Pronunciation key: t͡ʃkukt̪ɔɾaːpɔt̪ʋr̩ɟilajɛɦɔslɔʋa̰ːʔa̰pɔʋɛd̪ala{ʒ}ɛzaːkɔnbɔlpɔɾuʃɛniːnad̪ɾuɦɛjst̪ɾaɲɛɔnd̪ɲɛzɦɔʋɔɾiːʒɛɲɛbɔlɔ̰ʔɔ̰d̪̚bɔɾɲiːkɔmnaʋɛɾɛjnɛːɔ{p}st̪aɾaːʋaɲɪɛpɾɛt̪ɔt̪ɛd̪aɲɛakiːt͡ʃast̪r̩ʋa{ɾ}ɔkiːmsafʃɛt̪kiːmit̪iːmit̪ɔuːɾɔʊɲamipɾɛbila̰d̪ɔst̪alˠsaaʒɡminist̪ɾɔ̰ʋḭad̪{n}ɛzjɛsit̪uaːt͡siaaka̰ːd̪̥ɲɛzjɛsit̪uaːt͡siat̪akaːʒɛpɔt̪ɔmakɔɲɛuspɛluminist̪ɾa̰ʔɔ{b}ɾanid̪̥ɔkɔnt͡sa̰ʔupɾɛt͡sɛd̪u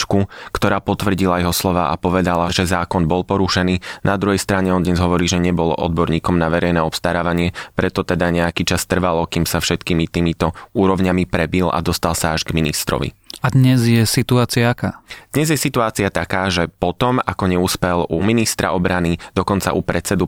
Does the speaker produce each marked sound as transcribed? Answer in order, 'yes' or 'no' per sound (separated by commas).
yes, yes, no, no, yes